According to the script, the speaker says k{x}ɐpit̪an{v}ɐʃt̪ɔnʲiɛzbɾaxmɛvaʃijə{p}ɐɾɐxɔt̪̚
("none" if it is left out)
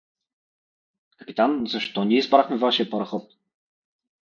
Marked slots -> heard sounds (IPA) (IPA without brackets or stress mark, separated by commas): k, z, p